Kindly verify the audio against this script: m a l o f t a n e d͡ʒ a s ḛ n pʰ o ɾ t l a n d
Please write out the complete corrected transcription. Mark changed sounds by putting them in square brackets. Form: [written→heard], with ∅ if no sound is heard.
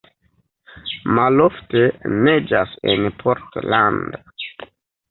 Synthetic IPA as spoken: m a l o f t [a→e] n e d͡ʒ a s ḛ n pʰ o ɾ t l a n d